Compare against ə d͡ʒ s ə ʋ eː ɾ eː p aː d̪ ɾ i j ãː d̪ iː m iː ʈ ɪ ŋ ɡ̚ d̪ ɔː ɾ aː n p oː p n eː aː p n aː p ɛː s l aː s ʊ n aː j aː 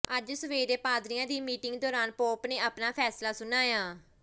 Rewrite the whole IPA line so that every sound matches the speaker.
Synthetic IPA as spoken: ə d͡ʒ s ə ʋ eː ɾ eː p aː d̪ ɾ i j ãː d̪ iː m iː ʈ ɪ ŋ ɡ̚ d̪ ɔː ɾ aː n p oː p n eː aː p n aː pʰ ɛː s l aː s ʊ n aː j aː